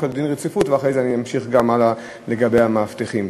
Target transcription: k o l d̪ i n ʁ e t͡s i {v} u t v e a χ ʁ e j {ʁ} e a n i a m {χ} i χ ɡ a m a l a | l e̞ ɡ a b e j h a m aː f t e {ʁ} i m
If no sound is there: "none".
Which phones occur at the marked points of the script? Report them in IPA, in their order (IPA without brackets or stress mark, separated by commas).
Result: f, z, ʃ, χ